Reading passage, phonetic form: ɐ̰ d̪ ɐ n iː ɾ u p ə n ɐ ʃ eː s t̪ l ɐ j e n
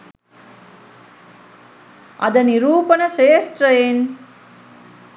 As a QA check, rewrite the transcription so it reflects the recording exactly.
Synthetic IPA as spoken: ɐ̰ d̪ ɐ n i ɾ uː p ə n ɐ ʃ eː s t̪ ɾ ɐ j e n